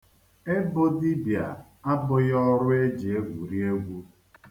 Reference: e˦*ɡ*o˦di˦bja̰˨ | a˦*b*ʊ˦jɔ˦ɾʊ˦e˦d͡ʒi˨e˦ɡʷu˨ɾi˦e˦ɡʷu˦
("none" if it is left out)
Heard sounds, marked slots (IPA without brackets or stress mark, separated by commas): b, b